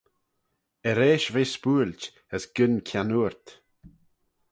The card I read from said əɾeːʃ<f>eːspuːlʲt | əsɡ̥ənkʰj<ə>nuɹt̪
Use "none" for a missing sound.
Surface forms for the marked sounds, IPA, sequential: v, a

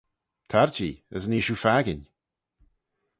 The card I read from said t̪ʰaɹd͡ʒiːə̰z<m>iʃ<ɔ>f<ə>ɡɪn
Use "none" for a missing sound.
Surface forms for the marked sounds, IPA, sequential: n, u, a

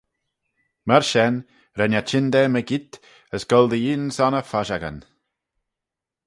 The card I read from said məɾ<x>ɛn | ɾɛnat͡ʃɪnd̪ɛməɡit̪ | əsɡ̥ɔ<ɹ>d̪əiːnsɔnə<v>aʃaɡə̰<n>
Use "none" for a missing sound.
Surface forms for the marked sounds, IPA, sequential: ʃ, l, f, n

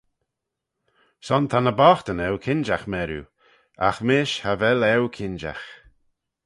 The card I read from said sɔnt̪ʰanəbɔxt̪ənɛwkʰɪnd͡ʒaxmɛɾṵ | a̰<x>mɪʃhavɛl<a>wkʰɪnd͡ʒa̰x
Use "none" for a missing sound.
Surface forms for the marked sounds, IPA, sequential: x, ɛ

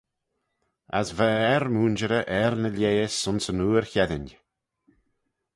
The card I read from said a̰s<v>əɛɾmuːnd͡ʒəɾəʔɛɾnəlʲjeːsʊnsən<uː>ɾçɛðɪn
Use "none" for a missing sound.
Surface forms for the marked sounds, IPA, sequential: v, uː

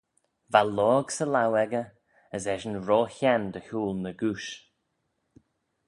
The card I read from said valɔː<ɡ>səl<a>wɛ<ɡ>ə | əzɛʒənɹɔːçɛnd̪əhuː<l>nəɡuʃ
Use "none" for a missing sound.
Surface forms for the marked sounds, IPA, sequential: ɡ, a, ɡ, l

